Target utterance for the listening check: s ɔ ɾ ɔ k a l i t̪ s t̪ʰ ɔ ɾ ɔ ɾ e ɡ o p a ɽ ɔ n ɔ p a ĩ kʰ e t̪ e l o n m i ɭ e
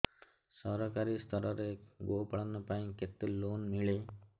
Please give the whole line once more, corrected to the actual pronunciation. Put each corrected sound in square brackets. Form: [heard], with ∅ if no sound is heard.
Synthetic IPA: s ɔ ɾ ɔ k a [ɾ] i [∅] s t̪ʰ ɔ ɾ ɔ ɾ e ɡ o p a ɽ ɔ n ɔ p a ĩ [k] e t̪ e l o n m i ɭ e